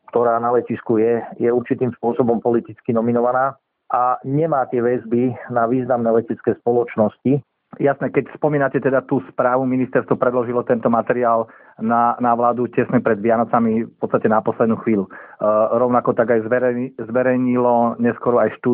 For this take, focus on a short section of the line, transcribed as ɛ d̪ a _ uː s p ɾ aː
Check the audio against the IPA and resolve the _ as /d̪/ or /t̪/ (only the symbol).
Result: t̪